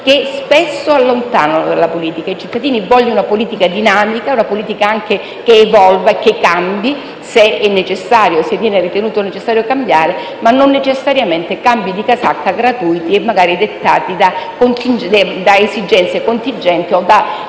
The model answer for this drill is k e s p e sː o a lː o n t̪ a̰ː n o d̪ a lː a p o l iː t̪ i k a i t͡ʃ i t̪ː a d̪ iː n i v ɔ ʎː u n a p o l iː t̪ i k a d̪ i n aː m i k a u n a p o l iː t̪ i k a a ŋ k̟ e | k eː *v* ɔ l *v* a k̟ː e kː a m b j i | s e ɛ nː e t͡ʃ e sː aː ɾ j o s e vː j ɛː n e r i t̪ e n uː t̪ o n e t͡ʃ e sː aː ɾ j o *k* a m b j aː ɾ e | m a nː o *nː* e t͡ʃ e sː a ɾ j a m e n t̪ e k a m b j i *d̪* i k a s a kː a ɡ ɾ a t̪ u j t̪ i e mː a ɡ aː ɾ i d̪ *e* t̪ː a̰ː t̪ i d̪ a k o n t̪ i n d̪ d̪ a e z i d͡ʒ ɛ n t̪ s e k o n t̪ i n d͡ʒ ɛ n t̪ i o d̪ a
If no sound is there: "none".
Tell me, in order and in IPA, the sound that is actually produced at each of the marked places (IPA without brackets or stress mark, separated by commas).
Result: v, v, k, nː, d̪, e